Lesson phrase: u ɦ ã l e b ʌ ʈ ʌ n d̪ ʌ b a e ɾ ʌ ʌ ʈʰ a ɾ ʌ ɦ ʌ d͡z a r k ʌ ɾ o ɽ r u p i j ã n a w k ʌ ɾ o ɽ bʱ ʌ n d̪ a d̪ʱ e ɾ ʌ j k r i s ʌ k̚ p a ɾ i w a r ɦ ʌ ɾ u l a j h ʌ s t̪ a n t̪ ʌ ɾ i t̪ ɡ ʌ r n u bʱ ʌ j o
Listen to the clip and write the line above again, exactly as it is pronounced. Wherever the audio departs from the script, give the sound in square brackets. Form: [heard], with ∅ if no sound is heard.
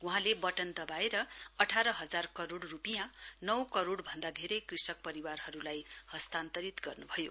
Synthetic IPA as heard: u ɦ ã l e b ʌ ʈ ʌ n d̪ ʌ b a e ɾ ʌ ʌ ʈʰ a ɾ ʌ ɦ ʌ d͡z a r k ʌ ɾ o ɽ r u p i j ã n [ʌ] w k ʌ ɾ o ɽ bʱ ʌ n d̪ a d̪ʱ e ɾ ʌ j k r i s ʌ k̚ p [ʌ] ɾ i w a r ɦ ʌ ɾ u l a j h ʌ s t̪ a n t̪ ʌ ɾ i t̪ ɡ ʌ r n u bʱ ʌ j o